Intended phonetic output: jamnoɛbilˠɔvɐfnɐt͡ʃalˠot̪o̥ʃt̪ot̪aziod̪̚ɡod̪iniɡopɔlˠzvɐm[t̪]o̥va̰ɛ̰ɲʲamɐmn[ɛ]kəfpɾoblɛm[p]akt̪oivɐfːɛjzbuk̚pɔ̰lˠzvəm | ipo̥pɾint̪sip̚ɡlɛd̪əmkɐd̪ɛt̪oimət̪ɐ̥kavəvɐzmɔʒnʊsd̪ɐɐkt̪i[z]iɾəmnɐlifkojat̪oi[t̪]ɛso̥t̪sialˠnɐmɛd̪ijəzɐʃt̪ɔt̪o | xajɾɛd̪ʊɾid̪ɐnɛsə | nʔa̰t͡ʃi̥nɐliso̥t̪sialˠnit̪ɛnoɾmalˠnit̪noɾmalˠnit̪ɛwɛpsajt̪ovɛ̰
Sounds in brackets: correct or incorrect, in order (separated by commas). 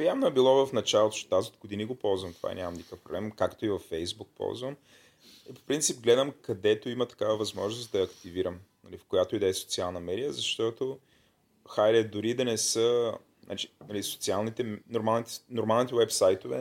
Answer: correct, incorrect, incorrect, incorrect, incorrect